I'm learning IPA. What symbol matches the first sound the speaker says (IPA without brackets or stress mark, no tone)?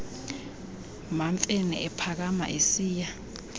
m